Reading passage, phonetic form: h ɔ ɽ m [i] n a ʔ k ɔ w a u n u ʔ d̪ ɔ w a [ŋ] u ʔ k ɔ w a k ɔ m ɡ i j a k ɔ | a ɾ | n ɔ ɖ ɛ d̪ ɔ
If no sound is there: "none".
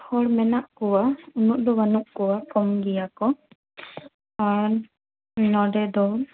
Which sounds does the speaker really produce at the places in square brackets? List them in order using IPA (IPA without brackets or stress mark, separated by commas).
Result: ɛ, n